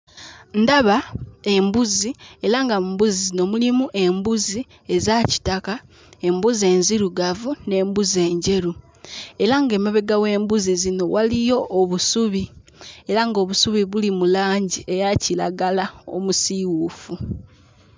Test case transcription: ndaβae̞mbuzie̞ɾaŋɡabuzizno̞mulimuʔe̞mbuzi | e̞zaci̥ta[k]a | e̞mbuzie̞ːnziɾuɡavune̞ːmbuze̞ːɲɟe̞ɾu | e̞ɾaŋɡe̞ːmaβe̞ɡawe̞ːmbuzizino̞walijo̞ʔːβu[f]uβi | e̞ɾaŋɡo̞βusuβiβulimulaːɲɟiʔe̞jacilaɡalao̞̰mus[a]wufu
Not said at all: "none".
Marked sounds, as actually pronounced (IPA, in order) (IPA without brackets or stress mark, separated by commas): k, s, i